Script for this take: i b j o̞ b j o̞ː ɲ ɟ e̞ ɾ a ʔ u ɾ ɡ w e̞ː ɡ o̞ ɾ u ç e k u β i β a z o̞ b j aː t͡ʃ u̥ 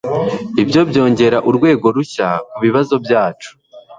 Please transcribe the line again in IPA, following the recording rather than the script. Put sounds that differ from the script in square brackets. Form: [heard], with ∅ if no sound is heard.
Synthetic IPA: i b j o̞ b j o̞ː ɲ ɟ e̞ ɾ a ʔ u ɾ ɡ w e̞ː ɡ o̞ ɾ u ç [a] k u β i β a z o̞ b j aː t͡ʃ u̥